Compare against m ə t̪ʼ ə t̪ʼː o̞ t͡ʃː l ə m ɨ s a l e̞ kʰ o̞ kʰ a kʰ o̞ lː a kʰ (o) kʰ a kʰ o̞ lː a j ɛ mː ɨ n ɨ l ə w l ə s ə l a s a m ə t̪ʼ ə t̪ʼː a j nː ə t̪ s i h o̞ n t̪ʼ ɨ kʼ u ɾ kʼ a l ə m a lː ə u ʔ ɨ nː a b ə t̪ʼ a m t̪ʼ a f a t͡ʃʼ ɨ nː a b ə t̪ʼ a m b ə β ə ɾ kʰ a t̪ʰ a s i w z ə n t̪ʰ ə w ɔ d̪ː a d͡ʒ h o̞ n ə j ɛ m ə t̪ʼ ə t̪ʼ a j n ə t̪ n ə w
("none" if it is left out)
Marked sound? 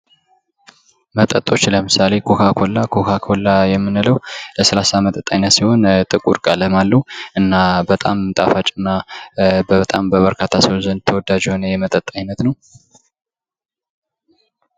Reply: o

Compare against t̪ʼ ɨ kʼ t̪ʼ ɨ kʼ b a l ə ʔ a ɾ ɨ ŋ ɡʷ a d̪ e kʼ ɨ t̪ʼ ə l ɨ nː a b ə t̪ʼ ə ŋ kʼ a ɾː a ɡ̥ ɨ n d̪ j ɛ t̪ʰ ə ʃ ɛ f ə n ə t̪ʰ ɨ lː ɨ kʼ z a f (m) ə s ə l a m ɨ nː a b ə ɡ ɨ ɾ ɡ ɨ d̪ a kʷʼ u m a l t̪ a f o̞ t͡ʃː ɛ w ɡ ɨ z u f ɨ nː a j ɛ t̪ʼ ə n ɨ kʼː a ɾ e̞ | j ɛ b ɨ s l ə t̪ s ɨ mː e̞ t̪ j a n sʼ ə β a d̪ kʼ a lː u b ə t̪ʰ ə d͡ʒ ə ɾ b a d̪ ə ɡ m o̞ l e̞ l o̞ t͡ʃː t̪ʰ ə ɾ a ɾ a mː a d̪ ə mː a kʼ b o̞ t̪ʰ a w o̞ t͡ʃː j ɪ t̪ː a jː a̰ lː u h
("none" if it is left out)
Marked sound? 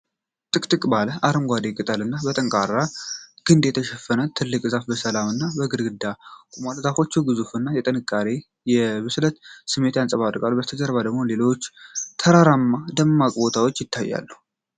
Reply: b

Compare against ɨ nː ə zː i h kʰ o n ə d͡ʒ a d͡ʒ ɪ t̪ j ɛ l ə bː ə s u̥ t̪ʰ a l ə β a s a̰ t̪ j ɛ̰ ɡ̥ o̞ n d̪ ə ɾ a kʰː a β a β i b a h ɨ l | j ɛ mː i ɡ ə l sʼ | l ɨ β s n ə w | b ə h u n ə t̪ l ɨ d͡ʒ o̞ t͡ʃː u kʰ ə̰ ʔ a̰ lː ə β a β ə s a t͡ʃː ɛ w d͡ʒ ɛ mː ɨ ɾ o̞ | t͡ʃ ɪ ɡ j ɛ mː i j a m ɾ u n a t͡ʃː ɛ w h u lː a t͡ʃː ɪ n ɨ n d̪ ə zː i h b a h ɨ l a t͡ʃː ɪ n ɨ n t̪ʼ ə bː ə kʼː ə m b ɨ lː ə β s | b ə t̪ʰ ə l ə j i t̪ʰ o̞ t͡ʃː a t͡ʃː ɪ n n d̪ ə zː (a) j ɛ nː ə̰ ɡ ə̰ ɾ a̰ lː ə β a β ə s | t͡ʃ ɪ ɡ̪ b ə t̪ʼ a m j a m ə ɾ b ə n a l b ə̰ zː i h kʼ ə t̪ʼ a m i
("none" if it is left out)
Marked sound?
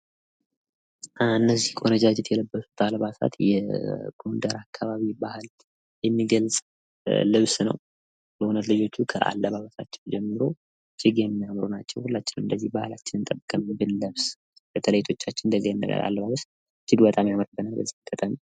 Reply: i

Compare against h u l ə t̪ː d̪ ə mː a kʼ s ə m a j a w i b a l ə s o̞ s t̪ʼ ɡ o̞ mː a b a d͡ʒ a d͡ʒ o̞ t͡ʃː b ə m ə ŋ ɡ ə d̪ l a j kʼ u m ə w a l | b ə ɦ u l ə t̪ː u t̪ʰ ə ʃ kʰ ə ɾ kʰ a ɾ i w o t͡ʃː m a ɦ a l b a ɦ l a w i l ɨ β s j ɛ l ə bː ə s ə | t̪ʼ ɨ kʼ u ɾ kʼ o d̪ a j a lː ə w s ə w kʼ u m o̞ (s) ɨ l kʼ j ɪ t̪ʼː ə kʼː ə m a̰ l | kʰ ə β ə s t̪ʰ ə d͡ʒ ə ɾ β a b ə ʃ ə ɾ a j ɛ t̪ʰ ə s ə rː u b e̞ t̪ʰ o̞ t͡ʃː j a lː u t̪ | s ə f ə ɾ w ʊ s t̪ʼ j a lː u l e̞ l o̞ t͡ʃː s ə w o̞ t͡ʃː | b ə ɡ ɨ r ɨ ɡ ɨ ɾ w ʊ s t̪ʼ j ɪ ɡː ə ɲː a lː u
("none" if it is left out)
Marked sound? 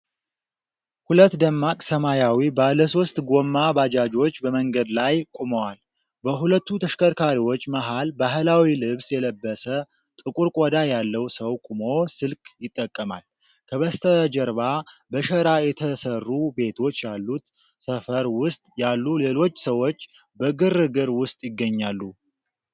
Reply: s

